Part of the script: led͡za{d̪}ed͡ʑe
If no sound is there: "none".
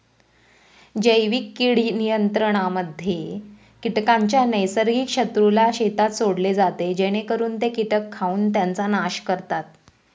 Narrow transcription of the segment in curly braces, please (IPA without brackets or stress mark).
t̪